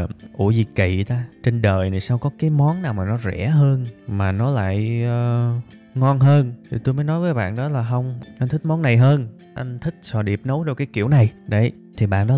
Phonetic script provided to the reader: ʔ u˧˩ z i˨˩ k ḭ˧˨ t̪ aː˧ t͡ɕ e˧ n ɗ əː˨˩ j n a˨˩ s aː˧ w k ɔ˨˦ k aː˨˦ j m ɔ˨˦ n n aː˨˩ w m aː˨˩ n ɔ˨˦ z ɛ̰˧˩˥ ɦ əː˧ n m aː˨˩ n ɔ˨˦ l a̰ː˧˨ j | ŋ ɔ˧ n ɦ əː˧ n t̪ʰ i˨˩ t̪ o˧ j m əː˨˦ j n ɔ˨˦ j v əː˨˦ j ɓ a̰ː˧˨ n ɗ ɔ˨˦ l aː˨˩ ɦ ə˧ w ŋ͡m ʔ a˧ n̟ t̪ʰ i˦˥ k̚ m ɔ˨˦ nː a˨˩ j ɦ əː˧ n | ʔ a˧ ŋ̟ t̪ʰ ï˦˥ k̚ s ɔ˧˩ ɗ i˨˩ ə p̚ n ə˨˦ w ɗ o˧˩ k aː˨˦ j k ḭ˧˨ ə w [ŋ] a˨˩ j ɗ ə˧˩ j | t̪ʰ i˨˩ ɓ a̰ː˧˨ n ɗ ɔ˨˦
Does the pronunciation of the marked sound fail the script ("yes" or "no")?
yes